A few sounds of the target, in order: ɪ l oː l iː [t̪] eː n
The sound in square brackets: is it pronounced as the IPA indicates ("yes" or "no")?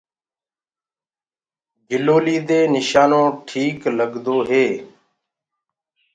no